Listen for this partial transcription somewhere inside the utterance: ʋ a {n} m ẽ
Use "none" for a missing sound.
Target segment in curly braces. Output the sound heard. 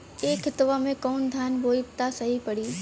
none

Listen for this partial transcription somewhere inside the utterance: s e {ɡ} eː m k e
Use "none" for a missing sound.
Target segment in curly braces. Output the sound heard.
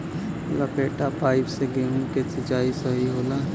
ɡ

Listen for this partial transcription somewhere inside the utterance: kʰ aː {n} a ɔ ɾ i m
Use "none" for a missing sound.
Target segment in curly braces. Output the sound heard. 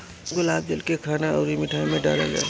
n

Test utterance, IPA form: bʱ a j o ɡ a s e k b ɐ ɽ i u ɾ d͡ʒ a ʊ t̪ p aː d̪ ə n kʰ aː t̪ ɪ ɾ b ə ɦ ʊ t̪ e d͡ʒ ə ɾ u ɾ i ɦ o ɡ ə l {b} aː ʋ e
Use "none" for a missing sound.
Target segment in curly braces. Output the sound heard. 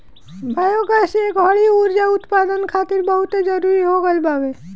b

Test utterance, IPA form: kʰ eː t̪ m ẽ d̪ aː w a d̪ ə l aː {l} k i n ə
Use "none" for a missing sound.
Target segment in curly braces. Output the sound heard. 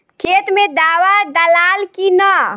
l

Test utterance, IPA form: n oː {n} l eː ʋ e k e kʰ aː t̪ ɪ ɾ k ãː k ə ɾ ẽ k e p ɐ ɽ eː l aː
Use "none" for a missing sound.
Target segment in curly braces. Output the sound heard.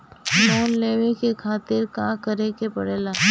n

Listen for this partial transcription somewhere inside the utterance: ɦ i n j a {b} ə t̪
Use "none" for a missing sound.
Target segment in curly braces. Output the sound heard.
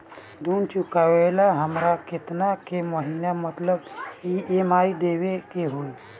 m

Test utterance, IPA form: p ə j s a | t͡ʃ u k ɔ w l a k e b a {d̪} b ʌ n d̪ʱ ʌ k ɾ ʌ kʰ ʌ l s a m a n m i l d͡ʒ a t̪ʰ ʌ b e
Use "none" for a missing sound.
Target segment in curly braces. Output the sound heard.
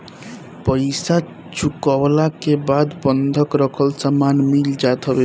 d̪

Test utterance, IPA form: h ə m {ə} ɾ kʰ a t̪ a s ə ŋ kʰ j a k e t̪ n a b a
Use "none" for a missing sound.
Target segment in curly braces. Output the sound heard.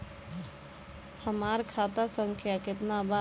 a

